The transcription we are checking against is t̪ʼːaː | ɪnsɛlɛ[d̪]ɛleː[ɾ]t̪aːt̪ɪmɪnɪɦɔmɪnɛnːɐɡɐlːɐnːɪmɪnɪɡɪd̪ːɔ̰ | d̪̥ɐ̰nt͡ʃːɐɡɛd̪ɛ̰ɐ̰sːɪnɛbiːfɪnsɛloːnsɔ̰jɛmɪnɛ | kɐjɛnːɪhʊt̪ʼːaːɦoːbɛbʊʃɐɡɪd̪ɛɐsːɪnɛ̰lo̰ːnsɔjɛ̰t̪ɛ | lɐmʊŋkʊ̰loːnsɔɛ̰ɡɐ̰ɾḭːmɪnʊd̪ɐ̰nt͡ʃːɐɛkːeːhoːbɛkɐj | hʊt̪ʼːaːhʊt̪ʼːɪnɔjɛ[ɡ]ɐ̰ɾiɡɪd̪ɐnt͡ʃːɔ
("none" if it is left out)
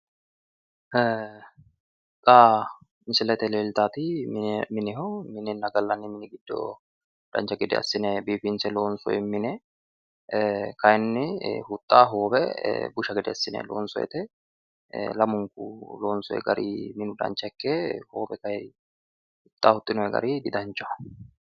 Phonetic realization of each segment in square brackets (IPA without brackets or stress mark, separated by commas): t̪, l, ɡ